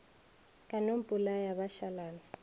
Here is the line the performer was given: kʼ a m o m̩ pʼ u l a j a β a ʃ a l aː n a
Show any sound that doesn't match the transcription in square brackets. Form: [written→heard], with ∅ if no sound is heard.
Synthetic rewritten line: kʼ a [m→n] o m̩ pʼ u l a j a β a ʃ a l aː n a

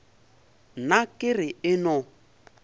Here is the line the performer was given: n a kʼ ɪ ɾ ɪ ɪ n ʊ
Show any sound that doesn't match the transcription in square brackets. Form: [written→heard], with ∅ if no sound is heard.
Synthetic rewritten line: n a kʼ ɪ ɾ ɪ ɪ n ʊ

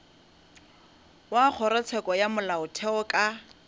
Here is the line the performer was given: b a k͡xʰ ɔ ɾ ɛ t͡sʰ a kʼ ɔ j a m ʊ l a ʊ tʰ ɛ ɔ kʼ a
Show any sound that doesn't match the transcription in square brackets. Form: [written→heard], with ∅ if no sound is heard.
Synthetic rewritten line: [b→w] a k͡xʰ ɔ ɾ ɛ t͡sʰ [a→ɛ] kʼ ɔ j a m ʊ l a ʊ tʰ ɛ ɔ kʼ a

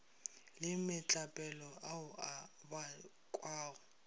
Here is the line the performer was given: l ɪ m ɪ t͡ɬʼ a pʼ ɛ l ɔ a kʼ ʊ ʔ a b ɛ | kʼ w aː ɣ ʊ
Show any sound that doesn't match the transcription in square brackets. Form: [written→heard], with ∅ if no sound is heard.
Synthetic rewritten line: l ɪ m ɪ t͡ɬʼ a pʼ ɛ l ɔ a [kʼ→∅] ʊ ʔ a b [ɛ→a] | kʼ w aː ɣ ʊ

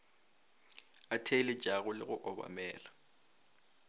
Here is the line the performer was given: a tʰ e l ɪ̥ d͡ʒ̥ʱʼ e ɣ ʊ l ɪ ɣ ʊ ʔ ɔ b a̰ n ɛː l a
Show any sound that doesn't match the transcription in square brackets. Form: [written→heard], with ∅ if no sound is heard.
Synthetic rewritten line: a tʰ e l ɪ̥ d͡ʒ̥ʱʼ [e→a] ɣ ʊ l ɪ ɣ ʊ ʔ ɔ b a̰ [n→m] ɛː l a

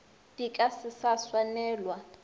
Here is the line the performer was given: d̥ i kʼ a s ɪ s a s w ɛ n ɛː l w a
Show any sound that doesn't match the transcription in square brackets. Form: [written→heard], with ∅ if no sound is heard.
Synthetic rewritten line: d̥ i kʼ a s ɪ s a s w [ɛ→a] n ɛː l w a

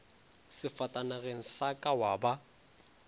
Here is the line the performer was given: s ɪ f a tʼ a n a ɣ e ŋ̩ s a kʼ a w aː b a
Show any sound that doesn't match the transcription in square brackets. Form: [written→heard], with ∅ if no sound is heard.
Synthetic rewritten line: s ɪ f a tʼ a n a ɣ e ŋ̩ s a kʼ a w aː b a

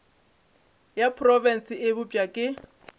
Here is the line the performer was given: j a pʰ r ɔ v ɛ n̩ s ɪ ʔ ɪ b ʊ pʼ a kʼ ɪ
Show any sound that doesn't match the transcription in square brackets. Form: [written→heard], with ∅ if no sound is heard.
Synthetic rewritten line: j a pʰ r ɔ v ɛ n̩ s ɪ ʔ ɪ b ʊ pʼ a kʼ ɪ

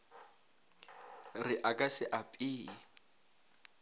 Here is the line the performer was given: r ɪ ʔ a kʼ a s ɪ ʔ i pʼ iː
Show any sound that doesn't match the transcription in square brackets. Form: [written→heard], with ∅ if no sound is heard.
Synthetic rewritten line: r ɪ ʔ a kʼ a s ɪ ʔ [i→a] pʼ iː

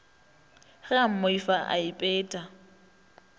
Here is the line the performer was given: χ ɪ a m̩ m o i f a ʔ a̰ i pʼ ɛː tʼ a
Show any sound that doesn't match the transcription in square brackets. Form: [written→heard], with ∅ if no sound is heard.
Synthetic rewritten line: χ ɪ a m̩ m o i f a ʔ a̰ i pʼ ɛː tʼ a

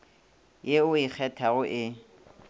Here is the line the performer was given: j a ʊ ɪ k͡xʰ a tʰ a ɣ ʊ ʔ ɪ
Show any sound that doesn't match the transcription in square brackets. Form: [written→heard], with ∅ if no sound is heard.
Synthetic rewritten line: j [a→e] ʊ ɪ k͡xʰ [a→ɛ] tʰ a ɣ ʊ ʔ ɪ

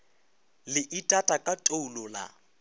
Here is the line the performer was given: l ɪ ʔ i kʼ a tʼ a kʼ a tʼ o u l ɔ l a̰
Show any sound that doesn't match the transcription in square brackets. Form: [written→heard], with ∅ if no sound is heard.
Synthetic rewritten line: l ɪ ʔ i [kʼ→tʼ] a tʼ a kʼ a tʼ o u l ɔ l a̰

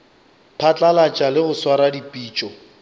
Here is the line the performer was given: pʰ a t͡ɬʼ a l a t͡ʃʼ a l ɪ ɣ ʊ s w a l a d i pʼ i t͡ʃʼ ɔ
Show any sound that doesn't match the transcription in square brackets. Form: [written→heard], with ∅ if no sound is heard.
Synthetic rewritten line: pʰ a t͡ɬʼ a l a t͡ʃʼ a l ɪ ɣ ʊ s w a [l→ɾ] a d i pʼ [i→iː] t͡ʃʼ ɔ

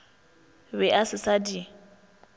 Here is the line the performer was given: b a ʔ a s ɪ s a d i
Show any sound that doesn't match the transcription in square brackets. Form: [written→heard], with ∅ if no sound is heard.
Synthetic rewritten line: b [a→ɛ] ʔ a s ɪ s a d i

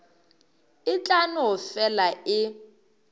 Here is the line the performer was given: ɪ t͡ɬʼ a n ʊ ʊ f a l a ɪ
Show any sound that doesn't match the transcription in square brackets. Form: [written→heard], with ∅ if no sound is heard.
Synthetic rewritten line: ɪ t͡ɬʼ a n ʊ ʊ f [a→ɛ] l a ɪ

